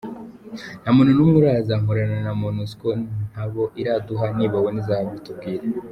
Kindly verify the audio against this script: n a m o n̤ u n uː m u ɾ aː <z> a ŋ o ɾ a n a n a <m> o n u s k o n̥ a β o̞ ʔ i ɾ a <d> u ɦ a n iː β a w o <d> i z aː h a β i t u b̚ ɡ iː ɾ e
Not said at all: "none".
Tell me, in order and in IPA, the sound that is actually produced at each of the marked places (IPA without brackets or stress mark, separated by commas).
z, m, d, n